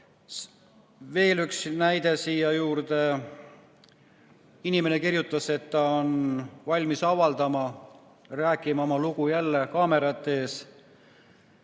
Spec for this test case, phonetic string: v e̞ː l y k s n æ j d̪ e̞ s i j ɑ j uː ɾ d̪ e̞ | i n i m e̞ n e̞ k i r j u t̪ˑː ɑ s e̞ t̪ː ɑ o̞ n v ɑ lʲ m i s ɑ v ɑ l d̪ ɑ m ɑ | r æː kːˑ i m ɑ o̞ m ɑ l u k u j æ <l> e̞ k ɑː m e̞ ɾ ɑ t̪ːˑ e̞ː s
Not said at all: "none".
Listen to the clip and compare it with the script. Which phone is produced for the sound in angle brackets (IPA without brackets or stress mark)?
lː